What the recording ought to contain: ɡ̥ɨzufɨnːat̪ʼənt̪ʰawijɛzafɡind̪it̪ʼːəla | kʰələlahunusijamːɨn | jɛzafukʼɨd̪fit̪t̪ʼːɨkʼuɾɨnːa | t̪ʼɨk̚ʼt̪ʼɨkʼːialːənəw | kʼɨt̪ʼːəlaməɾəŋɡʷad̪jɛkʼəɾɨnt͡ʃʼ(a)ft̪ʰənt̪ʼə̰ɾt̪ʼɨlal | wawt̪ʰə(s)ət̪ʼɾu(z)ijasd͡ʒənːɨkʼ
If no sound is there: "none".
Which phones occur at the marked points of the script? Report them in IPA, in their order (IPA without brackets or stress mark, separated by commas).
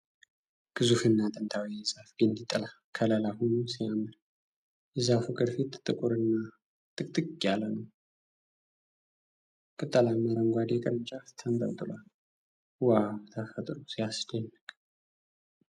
a, f, s